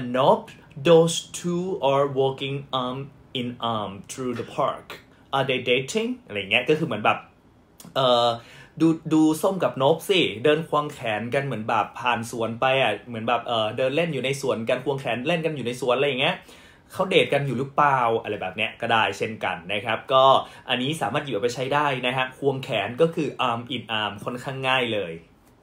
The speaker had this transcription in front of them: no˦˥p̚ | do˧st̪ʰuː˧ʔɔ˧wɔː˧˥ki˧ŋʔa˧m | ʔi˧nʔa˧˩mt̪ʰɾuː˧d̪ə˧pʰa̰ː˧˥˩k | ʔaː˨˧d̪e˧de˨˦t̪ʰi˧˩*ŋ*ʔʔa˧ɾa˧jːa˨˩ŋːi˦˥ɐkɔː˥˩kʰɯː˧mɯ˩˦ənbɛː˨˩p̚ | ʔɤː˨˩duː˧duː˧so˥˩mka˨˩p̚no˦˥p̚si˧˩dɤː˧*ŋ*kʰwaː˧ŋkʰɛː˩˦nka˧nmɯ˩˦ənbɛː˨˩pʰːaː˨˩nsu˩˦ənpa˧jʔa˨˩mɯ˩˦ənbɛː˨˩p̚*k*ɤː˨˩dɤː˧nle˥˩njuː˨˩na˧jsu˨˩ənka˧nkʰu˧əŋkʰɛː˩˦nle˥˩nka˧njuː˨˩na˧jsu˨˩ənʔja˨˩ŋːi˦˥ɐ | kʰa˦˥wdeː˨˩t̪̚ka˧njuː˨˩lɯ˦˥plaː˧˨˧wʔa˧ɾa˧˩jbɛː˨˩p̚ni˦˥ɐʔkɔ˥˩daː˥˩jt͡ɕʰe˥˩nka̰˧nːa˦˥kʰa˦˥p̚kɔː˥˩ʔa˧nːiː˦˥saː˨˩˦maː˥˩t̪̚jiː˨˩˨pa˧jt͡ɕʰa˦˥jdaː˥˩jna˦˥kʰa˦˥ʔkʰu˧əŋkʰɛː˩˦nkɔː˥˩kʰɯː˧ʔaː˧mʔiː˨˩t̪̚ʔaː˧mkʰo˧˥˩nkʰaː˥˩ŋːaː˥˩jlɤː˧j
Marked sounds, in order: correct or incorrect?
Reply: correct, incorrect, incorrect

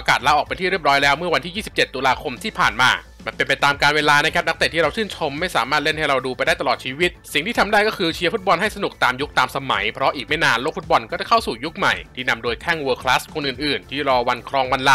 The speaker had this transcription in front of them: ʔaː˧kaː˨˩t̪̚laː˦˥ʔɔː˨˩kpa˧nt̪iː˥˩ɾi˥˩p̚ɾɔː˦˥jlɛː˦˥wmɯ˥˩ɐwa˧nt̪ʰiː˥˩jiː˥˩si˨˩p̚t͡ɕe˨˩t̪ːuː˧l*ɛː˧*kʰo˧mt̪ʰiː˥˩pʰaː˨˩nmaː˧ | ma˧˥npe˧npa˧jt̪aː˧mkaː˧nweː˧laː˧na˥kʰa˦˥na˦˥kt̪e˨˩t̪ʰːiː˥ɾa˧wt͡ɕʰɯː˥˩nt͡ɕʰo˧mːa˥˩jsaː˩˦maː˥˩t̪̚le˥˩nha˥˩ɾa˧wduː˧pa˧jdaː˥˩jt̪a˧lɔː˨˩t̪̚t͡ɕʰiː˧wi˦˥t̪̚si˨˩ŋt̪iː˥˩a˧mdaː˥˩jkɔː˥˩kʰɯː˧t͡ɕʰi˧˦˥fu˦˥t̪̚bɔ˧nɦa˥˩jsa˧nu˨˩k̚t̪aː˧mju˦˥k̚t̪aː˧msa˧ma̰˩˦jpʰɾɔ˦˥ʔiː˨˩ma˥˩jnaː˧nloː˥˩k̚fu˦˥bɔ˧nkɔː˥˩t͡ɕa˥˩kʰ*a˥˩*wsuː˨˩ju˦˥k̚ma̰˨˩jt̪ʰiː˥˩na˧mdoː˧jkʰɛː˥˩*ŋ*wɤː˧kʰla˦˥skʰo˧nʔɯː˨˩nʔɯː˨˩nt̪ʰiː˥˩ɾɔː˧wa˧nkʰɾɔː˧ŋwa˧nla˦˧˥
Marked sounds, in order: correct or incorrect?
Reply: incorrect, correct, correct

